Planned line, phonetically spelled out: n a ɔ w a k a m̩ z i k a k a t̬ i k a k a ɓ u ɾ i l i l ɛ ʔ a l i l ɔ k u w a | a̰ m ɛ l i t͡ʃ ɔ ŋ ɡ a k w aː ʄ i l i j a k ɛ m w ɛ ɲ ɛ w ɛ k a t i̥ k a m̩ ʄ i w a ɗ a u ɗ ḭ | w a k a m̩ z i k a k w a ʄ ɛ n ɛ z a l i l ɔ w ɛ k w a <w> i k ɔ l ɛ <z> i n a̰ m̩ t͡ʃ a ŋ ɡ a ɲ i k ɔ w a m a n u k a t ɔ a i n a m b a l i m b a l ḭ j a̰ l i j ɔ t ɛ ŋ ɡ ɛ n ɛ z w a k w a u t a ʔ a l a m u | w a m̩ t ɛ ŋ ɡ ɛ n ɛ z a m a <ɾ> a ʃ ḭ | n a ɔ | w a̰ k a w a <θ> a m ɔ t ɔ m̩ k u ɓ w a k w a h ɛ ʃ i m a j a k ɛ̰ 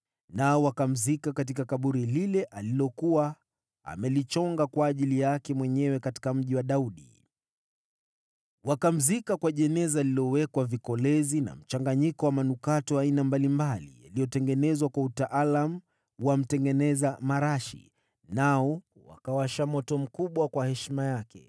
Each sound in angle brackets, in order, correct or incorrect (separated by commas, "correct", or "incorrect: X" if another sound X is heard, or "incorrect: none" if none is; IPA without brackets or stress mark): incorrect: v, correct, correct, incorrect: ʃ